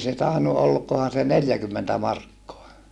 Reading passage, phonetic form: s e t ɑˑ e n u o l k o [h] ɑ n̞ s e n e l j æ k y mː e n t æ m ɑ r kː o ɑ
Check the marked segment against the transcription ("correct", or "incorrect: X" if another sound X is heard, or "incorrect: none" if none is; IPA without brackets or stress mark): correct